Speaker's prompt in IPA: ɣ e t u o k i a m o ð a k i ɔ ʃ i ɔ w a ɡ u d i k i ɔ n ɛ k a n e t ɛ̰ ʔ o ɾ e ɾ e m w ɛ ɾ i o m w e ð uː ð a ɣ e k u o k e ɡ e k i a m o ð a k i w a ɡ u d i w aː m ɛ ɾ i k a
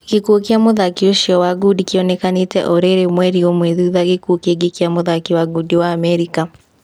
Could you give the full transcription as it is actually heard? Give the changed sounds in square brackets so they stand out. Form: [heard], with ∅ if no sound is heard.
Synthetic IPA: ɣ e [k] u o k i a m o ð a k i [o] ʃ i ɔ w a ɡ u d i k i ɔ n ɛ k a n e t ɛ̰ ʔ o ɾ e ɾ e m w ɛ ɾ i o m w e ð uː ð a ɣ e k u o k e ɡ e k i a m o ð a k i w a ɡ u d i w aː m ɛ ɾ i k a